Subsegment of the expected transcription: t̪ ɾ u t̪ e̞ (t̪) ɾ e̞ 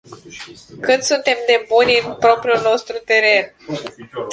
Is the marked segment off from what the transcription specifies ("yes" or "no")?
yes